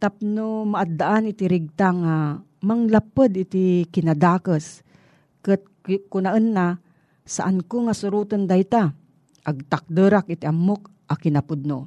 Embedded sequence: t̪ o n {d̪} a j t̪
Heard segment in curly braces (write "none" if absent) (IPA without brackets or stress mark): d̪